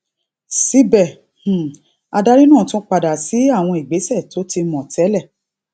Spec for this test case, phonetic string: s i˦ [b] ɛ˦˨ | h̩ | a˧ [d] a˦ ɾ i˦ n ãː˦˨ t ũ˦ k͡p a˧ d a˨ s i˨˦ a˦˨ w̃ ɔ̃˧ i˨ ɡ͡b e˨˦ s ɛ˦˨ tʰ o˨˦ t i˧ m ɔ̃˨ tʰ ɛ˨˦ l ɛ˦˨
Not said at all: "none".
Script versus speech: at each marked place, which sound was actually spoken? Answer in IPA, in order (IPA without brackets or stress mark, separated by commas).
b, d